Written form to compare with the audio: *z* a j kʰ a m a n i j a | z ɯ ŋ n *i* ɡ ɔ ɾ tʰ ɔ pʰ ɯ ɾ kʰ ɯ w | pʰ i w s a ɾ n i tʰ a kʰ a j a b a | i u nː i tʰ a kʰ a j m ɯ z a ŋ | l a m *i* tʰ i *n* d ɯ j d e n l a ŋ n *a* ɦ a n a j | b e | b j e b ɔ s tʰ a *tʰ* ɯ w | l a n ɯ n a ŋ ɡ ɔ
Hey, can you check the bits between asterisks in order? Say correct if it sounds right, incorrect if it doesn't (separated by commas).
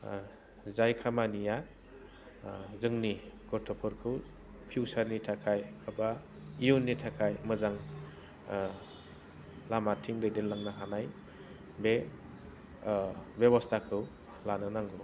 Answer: correct, correct, incorrect, incorrect, correct, incorrect